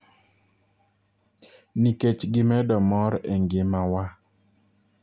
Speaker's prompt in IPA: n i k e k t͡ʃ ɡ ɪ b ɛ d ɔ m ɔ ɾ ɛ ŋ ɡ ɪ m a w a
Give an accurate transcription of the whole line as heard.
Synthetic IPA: n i k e t͡ʃ ɡ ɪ m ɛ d ɔ m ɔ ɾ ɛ ŋ ɡ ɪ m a w a